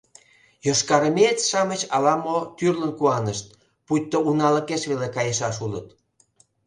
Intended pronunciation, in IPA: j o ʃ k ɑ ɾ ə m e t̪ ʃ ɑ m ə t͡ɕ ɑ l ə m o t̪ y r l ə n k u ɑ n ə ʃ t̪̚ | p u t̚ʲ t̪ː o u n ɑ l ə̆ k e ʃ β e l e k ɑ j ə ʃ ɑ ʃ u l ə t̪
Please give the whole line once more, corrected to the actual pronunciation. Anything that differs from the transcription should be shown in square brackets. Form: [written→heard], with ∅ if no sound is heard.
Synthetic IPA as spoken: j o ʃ k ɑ ɾ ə m e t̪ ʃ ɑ m ə t͡ɕ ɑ l [ə→ɑ] m o t̪ y r l ə n k u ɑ n ə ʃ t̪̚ | p u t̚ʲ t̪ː o u n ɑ l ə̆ k e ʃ β e l e k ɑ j ə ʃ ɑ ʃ u l ə t̪